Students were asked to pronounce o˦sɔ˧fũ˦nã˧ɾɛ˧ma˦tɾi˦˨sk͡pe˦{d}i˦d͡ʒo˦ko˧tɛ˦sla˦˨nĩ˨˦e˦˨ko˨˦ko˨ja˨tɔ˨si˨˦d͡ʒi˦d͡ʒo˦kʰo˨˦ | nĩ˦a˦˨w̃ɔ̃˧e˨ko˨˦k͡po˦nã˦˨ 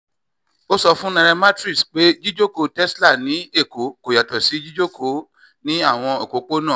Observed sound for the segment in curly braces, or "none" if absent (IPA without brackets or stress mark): d͡ʒ